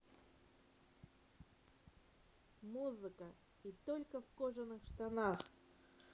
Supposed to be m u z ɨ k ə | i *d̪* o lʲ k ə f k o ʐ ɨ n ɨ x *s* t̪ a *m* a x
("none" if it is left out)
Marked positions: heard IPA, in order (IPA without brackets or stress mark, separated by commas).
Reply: t̪, ʂ, n